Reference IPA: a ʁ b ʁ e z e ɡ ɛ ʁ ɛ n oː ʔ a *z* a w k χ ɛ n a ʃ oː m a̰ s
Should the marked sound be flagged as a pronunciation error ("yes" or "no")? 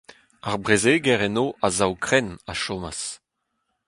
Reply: no